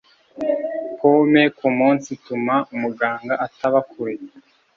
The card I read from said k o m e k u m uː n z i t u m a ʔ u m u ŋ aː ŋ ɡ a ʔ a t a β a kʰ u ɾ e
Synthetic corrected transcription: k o m e k u m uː n s i t u m a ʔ u m u ɡ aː ŋ ɡ a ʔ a t a β a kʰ u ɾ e